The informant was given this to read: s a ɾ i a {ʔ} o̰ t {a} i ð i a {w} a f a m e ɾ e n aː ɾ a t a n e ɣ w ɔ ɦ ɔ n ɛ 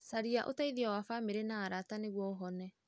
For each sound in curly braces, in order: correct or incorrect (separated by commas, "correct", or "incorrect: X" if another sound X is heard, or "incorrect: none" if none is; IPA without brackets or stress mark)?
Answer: correct, correct, correct